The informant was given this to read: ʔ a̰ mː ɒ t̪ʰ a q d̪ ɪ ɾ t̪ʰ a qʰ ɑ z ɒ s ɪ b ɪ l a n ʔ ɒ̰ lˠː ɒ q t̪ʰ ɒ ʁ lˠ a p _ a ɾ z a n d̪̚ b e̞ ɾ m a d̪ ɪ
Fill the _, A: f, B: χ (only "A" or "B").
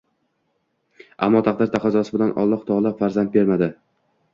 A